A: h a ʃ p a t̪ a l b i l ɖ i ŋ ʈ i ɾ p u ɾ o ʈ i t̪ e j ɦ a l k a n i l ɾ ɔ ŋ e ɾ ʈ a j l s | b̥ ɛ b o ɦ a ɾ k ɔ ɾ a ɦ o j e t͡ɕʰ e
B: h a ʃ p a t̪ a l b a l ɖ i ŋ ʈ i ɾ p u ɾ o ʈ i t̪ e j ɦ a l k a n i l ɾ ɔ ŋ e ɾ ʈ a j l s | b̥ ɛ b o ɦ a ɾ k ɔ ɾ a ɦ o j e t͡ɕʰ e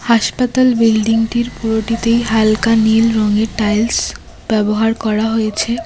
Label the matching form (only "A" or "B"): A